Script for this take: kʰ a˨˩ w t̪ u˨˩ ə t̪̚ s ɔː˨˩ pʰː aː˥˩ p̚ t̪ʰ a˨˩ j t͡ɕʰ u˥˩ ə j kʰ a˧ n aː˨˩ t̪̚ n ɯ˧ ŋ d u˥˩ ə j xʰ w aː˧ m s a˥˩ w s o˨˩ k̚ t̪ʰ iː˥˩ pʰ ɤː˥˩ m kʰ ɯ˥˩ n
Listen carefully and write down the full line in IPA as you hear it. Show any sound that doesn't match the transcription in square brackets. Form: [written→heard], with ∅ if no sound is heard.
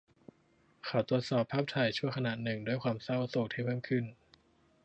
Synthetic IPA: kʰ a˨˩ w t̪ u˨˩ ə t̪̚ s ɔː˨˩ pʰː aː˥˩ p̚ t̪ʰ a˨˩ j t͡ɕʰ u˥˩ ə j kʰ a˧ n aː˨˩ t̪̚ n [ɯ˧→ɯ˨˩] ŋ d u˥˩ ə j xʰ w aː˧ m s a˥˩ w s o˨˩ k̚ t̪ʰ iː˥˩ pʰ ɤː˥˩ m kʰ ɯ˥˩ n